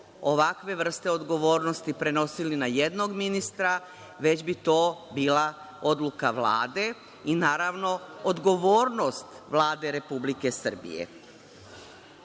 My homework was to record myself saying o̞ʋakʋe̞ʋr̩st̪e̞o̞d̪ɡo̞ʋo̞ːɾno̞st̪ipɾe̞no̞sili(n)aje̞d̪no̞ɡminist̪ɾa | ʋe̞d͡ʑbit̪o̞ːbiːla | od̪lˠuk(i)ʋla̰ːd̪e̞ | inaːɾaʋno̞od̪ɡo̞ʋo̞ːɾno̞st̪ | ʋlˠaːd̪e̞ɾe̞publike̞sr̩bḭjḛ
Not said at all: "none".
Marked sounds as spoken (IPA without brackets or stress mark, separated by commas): n, a